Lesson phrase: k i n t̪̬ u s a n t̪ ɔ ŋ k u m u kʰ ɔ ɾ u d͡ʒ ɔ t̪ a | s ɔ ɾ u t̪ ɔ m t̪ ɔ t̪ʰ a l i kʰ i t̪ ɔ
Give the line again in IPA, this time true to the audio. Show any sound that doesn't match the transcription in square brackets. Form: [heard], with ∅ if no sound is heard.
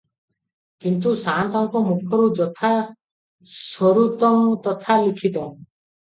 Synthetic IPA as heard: k i n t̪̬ u s a n t̪ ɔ ŋ k [ɔ] m u kʰ ɔ ɾ u d͡ʒ ɔ [t̪ʰ] a | s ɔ ɾ u t̪ ɔ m t̪ ɔ t̪ʰ a l i kʰ i t̪ ɔ